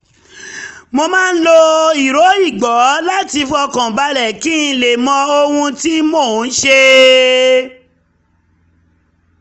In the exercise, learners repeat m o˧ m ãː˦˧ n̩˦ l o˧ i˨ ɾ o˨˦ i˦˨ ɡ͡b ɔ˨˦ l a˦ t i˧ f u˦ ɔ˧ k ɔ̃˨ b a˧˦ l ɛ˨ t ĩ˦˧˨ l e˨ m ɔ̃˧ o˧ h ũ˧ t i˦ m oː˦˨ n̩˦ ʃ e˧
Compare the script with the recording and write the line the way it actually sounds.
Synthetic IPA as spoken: m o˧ m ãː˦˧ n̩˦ l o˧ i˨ ɾ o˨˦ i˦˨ ɡ͡b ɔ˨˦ l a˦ t i˧ f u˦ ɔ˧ k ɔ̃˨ b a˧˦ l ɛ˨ k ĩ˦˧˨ l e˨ m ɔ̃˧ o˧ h ũ˧ t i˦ m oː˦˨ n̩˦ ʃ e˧